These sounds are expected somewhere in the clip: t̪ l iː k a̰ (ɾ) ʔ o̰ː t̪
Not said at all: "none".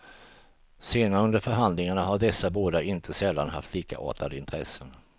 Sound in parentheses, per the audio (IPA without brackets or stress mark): none